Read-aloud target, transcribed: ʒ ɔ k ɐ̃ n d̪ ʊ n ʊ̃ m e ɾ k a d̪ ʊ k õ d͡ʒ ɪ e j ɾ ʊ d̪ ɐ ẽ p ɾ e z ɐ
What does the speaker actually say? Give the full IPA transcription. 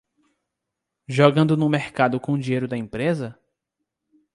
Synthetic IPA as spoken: ʒ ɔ ɡ ɐ̃ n d̪ ʊ n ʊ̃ m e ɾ k a d̪ ʊ k õ d͡ʒ i e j ɾ ʊ d̪ ɐ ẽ p ɾ e z ɐ